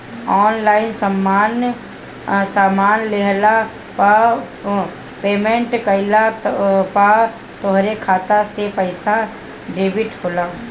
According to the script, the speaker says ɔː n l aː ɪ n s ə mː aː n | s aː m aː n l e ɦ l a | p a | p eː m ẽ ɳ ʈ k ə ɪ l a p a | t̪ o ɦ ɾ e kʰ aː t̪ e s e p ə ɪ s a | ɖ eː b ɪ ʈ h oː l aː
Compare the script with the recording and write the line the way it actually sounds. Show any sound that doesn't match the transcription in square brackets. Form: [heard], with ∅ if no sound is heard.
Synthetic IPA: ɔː n l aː ɪ n s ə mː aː n | s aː m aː n l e ɦ l a | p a | p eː m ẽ ɳ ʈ k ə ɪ l a p a | t̪ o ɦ ɾ e kʰ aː t̪ [a] s e p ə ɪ s a | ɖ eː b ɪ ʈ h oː l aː